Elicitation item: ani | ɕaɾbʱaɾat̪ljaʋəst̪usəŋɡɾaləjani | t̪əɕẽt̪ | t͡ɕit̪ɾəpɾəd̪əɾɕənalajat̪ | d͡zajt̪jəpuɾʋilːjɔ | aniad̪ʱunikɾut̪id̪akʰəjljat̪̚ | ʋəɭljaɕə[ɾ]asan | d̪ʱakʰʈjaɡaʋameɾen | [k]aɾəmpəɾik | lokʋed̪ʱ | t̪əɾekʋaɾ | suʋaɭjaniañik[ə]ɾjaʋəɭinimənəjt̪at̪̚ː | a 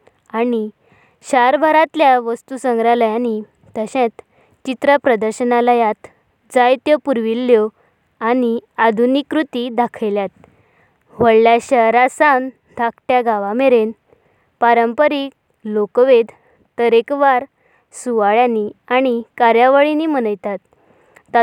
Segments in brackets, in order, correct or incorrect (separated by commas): correct, incorrect, incorrect